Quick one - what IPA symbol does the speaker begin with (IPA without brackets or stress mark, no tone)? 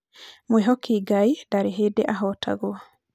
m